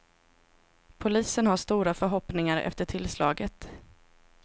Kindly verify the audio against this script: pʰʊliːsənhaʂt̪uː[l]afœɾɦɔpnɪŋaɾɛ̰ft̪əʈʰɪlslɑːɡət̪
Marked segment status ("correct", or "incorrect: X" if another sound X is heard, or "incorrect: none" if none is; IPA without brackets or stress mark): incorrect: ɾ